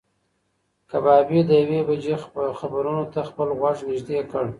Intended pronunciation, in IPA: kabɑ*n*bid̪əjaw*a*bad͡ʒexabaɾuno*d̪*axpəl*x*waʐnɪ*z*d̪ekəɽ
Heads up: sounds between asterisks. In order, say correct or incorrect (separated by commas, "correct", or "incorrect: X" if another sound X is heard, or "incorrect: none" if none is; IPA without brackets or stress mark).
incorrect: none, incorrect: e, incorrect: t̪, incorrect: ɣ, incorrect: ʒ